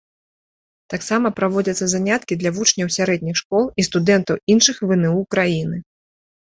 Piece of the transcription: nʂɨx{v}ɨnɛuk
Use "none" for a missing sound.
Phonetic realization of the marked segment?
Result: v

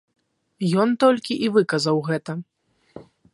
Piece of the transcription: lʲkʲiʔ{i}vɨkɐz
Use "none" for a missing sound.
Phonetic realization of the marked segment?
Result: i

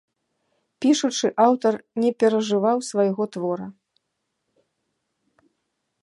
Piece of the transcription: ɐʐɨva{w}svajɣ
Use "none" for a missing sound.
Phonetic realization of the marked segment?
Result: w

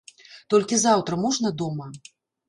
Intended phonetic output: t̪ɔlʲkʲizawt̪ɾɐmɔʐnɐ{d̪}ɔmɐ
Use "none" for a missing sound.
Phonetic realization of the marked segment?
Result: d̪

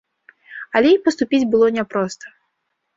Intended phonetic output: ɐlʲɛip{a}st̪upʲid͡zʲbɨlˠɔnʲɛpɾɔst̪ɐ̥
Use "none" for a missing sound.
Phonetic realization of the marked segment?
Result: ɐ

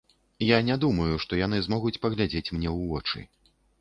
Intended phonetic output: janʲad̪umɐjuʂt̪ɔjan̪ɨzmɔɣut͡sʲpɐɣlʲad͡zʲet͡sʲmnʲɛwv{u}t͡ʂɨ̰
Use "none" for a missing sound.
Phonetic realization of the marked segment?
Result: ɔ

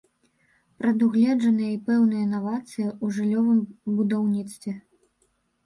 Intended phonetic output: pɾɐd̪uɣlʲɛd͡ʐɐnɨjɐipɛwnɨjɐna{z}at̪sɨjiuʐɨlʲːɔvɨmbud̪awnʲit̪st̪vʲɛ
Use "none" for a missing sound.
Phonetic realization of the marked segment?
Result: v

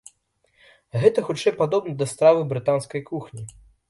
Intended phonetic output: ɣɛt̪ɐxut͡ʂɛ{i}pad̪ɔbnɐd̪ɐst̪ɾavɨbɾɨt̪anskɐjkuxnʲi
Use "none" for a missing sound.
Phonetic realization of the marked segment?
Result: j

